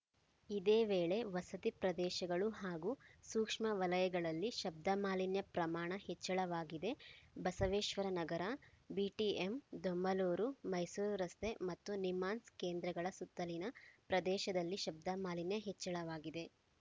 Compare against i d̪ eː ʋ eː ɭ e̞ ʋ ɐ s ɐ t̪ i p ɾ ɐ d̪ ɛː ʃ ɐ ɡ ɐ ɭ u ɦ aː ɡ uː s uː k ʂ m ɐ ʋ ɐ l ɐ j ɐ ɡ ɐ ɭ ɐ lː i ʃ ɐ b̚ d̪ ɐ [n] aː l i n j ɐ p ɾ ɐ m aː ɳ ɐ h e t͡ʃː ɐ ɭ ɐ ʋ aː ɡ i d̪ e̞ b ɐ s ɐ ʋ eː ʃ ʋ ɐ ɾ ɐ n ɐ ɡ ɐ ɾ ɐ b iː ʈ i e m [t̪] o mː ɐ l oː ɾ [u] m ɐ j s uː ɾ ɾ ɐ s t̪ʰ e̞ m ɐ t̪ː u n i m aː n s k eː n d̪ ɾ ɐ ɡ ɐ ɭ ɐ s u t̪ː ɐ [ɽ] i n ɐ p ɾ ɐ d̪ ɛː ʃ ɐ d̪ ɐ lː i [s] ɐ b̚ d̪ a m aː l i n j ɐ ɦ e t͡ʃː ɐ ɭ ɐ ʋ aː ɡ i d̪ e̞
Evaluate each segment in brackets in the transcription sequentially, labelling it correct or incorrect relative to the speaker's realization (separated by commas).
incorrect, incorrect, correct, incorrect, incorrect